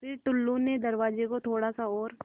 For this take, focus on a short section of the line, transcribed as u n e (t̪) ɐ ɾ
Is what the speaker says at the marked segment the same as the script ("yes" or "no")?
no